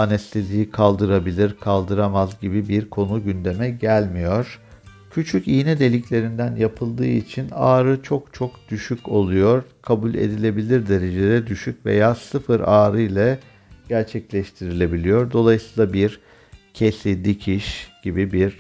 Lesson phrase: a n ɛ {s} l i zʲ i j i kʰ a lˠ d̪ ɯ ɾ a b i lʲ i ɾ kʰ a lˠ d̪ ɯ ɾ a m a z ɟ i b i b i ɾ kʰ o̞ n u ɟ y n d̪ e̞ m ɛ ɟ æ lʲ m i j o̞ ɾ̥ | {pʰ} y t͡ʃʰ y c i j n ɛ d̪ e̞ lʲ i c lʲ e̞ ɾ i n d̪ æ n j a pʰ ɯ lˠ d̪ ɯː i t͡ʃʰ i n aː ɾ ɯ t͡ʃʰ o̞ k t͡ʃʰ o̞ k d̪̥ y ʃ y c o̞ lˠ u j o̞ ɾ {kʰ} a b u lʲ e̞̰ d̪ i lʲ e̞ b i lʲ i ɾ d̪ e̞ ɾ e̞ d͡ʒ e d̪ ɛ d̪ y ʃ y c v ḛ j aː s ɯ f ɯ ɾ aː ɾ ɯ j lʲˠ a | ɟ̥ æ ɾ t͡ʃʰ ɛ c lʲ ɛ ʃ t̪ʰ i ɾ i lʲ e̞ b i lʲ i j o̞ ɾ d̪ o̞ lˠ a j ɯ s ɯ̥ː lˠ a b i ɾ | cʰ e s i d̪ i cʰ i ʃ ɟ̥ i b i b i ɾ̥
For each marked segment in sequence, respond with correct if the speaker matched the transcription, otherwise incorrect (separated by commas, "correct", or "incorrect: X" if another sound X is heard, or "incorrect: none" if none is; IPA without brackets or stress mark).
correct, incorrect: cʰ, correct